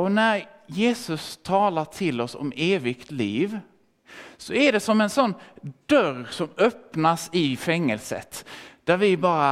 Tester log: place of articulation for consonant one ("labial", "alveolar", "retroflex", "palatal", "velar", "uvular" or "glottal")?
alveolar